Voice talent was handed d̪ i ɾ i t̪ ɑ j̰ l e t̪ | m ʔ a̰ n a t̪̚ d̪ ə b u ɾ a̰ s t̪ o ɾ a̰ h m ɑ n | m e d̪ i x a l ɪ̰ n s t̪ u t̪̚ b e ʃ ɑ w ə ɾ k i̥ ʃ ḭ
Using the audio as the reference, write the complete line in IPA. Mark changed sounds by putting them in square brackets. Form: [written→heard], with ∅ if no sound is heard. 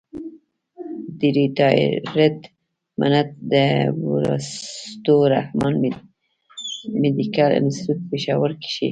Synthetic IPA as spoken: d̪ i ɾ i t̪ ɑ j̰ [l→ɾ] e t̪ | m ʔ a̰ n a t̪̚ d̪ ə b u ɾ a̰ s t̪ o ɾ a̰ h m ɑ n | m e d̪ i [x→k] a l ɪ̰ n s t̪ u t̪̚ [b→p] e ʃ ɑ w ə ɾ k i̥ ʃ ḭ